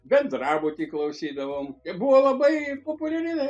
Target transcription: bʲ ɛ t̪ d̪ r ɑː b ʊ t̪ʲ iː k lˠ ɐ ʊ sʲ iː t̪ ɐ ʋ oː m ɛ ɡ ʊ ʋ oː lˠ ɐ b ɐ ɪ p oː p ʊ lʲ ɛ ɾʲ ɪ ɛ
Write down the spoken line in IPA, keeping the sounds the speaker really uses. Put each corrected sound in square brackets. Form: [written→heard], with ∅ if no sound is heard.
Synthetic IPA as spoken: bʲ ɛ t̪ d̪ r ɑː b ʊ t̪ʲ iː k lˠ ɐ ʊ sʲ iː [t̪→d̪] ɐ ʋ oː m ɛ [ɡ→b] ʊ ʋ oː lˠ ɐ b ɐ ɪ p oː p ʊ lʲ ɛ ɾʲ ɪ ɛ